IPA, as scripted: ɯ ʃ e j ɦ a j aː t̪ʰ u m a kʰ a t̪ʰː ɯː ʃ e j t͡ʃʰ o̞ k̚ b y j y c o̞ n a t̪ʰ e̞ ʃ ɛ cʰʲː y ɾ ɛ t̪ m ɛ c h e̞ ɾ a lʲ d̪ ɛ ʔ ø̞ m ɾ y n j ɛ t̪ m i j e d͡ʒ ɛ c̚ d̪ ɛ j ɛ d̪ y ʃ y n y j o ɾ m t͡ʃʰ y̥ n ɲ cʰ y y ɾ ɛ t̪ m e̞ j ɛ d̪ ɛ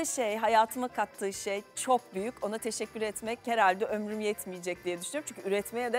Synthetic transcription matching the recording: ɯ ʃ e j ɦ a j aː t̪ʰ ɯ m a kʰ a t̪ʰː ɯː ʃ e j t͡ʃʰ o̞ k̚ b y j y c o̞ n a t̪ʰ e̞ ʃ ɛ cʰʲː y ɾ ɛ t̪ m ɛ c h e̞ ɾ a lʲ d̪ ɛ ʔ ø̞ m ɾ y m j ɛ t̪ m i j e d͡ʒ ɛ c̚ d̪ i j ɛ d̪ y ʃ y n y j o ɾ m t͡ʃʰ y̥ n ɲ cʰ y y ɾ ɛ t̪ m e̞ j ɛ d̪ ɛ